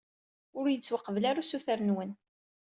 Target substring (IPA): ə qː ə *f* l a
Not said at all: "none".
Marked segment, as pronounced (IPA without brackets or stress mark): v